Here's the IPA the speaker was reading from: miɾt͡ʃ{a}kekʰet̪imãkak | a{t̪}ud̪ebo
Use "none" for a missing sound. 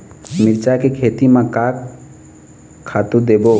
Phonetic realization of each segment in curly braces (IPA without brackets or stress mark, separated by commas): a, t̪